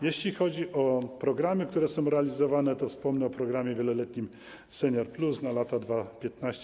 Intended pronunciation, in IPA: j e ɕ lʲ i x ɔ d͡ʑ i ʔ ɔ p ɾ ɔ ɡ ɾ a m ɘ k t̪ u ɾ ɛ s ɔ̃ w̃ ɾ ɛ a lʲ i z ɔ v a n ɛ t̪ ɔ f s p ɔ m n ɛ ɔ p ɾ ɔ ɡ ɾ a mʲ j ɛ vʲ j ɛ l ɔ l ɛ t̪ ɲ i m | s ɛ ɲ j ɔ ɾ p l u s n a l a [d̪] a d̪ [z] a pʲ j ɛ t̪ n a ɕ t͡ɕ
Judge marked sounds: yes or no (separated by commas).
no, no